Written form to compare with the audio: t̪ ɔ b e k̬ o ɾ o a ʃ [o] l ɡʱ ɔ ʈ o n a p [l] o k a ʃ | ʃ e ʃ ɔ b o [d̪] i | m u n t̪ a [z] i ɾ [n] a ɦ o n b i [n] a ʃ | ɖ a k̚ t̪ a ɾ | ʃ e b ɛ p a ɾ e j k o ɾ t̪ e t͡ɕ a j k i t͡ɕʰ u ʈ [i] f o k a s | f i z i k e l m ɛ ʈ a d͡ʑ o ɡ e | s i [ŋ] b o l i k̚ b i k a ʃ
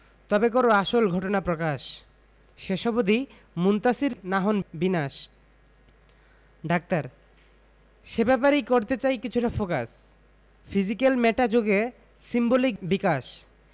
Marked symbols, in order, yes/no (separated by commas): yes, no, yes, no, yes, yes, no, no